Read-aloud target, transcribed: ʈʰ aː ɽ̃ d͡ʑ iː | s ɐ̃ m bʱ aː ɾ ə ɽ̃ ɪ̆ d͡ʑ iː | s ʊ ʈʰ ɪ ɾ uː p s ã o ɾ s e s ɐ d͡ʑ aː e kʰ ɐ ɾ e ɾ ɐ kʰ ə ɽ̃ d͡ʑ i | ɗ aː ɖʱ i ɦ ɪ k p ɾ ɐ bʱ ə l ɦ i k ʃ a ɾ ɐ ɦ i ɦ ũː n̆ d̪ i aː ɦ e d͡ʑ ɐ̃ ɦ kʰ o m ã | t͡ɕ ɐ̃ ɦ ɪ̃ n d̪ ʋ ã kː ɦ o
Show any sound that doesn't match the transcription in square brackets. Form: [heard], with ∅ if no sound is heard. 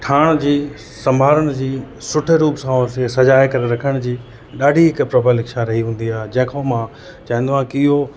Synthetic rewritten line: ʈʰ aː ɽ̃ d͡ʑ iː | s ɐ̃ m bʱ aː ɾ ə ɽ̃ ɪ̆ d͡ʑ iː | s ʊ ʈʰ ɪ ɾ uː p s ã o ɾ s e s ɐ d͡ʑ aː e [k] ɐ ɾ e ɾ ɐ kʰ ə ɽ̃ d͡ʑ [iː] | ɗ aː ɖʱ i ɦ ɪ k p ɾ ɐ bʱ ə l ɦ [ɪ] k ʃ a ɾ ɐ ɦ i ɦ ũː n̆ d̪ i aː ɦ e d͡ʑ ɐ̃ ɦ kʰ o m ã | t͡ɕ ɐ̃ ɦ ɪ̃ n d̪ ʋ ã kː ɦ o